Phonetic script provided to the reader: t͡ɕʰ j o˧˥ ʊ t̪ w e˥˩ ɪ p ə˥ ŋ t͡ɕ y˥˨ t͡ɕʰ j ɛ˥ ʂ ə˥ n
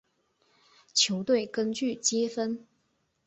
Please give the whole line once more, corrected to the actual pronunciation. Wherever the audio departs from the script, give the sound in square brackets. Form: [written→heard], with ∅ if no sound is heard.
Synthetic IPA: t͡ɕʰ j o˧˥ ʊ t̪ w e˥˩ ɪ [p→k] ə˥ [ŋ→n] t͡ɕ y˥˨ [t͡ɕʰ→t͡ɕ] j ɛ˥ [ʂ→f] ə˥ n

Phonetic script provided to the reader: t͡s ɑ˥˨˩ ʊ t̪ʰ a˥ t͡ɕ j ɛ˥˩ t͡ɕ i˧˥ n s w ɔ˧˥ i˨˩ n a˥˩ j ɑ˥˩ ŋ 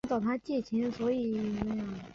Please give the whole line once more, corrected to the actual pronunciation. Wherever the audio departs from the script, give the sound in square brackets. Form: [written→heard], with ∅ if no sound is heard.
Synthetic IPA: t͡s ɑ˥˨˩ ʊ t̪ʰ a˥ t͡ɕ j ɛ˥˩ [t͡ɕ→t͡ɕʰ] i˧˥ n s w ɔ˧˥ i˨˩ n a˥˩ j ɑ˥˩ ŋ

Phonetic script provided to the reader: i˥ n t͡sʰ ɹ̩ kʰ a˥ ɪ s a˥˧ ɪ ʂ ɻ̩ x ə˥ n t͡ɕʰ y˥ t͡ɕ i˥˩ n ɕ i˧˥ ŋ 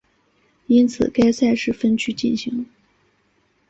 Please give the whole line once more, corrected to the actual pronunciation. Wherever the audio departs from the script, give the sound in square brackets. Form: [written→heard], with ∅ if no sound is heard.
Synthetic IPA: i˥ n t͡sʰ ɹ̩ [kʰ→k] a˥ ɪ s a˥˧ ɪ ʂ ɻ̩ [x→f] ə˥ n t͡ɕʰ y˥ t͡ɕ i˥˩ n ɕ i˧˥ ŋ

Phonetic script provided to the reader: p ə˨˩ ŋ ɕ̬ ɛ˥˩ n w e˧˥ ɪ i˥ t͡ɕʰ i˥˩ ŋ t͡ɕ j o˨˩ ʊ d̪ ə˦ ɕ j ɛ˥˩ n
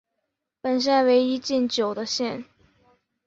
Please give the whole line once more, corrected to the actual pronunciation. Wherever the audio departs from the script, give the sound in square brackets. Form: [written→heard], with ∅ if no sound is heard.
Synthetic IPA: p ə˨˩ [ŋ→n] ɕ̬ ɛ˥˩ n w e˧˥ ɪ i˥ [t͡ɕʰ→t͡ɕ] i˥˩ [ŋ→n] t͡ɕ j o˨˩ ʊ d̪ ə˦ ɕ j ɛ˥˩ n

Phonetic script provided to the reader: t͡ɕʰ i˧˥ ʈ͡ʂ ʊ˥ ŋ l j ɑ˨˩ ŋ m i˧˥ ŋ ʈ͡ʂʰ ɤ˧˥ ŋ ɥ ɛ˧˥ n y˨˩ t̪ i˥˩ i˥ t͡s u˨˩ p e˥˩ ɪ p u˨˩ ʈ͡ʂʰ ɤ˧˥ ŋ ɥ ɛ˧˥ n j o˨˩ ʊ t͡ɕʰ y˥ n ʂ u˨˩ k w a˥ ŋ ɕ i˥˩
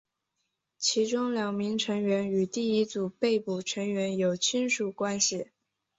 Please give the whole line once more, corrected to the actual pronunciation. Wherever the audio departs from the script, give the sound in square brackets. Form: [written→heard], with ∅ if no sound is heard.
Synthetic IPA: t͡ɕʰ i˧˥ ʈ͡ʂ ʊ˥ ŋ l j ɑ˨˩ ŋ m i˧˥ ŋ ʈ͡ʂʰ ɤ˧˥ ŋ ɥ ɛ˧˥ n y˨˩ t̪ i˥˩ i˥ t͡s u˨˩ p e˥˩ ɪ p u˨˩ ʈ͡ʂʰ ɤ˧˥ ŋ ɥ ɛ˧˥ n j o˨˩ ʊ t͡ɕʰ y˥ n ʂ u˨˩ k w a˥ [ŋ→n] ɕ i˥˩

